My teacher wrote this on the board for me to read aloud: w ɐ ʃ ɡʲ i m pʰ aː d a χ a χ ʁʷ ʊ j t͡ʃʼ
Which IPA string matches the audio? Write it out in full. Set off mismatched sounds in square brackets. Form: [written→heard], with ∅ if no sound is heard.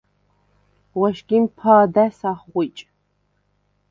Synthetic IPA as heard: w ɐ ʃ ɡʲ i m pʰ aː d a [χ→s] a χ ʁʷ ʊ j t͡ʃʼ